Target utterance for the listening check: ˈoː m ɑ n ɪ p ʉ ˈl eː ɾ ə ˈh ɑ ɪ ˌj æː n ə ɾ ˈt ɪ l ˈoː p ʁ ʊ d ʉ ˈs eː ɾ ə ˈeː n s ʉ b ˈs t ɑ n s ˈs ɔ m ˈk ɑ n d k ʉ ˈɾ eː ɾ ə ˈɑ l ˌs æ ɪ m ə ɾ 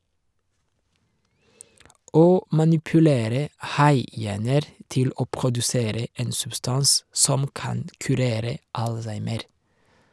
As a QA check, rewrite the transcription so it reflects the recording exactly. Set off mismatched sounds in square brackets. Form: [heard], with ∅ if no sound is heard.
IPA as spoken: ˈoː m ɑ n ɪ p ʉ ˈl eː ɾ ə ˈh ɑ ɪ ˌj æː n ə ɾ ˈt ɪ l ˈoː p ʁ ʊ d ʉ ˈs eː ɾ ə ˈeː n s ʉ b ˈs t ɑ n s ˈs ɔ m ˈk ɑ n d k ʉ ˈɾ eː ɾ ə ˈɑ l ˌs æ ɪ m ə ɾ